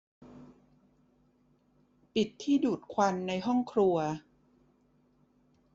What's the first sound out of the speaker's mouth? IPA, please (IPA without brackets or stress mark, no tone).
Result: p